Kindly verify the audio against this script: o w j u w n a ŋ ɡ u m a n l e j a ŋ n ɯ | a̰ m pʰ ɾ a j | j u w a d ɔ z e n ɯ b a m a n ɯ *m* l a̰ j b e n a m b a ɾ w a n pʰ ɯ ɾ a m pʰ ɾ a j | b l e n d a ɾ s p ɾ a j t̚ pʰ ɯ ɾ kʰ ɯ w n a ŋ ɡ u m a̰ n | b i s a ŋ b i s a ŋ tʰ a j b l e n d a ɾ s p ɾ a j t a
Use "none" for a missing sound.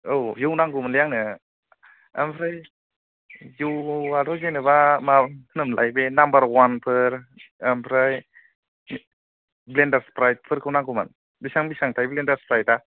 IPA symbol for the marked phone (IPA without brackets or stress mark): m